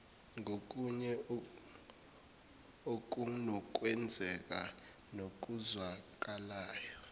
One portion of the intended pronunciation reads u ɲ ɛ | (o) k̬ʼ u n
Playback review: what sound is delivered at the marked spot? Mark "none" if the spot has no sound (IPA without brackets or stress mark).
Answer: o